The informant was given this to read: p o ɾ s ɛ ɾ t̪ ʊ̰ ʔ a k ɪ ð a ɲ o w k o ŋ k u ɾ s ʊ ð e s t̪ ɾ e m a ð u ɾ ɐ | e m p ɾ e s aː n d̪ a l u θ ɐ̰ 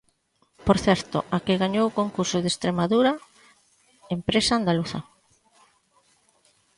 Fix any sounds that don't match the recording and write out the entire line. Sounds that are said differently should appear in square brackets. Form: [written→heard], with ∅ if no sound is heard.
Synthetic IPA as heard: p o ɾ [s→θ] ɛ ɾ t̪ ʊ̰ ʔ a k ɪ [ð→ɣ] a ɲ o w k o ŋ k u ɾ s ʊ ð e s t̪ ɾ e m a ð u ɾ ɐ | e m p ɾ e s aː n d̪ a l u θ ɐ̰